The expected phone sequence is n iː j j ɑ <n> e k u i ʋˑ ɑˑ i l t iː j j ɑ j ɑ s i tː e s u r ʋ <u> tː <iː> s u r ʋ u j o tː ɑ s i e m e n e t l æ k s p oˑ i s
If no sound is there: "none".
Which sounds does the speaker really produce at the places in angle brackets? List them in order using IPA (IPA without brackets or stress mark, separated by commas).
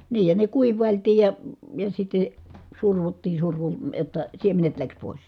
n, u, iː